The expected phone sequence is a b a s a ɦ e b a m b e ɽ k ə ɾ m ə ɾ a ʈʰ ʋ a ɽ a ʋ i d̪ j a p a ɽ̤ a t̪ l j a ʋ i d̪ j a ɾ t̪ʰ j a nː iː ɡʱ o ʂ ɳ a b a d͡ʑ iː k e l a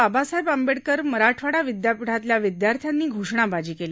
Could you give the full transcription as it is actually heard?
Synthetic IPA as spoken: a b a s a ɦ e b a m b e ɽ k ə ɾ m ə ɾ a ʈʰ ʋ a ɽ a ʋ i d̪ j a p i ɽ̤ a t̪ l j a ʋ i d̪ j a ɾ t̪ʰ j a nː iː ɡʱ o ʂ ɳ a b a d͡ʑ iː k e l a